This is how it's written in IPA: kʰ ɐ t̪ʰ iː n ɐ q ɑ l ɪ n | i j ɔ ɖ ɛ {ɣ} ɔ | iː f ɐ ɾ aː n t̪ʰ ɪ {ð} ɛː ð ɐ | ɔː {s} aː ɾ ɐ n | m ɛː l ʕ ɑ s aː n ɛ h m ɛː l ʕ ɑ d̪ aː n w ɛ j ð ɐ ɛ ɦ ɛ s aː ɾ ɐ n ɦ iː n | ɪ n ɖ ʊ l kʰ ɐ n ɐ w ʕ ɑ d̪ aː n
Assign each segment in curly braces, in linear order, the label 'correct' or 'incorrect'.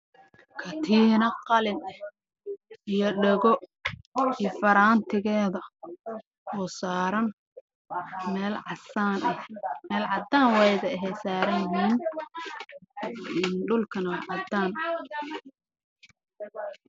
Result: correct, incorrect: ɣ, correct

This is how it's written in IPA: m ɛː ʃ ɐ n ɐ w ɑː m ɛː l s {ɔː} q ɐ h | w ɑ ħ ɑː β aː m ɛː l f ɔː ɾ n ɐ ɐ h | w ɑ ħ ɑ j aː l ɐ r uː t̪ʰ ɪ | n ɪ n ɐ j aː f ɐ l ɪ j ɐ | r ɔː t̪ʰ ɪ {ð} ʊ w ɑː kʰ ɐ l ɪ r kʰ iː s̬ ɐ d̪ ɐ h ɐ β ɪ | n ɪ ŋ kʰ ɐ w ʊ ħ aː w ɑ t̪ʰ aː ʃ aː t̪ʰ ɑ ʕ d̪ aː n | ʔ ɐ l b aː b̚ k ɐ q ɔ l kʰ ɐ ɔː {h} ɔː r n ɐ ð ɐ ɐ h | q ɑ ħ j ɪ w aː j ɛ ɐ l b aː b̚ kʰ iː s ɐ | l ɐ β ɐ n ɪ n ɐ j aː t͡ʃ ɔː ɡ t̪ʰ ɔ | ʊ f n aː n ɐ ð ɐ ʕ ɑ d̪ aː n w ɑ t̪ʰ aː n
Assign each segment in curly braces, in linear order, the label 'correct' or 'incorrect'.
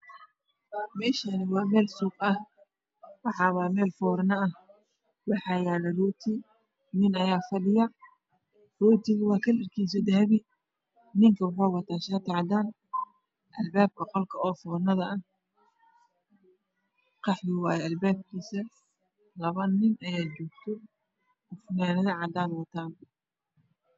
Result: incorrect: uː, incorrect: ɣ, incorrect: f

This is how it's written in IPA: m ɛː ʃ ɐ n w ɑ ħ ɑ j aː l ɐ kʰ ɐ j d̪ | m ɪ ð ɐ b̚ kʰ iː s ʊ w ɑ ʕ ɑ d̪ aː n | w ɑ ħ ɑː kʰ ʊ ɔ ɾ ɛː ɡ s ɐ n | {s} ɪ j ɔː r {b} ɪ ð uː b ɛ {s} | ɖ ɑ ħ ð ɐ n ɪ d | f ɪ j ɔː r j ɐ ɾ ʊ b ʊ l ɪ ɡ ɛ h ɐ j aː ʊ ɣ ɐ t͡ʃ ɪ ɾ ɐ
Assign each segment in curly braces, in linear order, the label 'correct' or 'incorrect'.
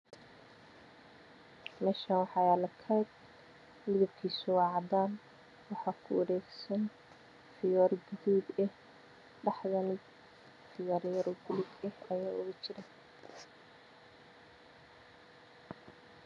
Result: incorrect: f, incorrect: ɡ, incorrect: h

